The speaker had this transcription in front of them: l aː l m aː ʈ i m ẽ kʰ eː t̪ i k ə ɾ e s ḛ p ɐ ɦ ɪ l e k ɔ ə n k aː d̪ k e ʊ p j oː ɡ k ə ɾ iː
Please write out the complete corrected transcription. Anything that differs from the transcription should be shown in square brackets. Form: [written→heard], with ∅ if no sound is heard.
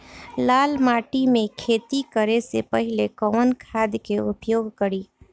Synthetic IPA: l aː l m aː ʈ i m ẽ kʰ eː t̪ i k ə ɾ e s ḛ p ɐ ɦ ɪ l e k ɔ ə n [k→kʰ] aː d̪ k e ʊ p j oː ɡ k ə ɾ iː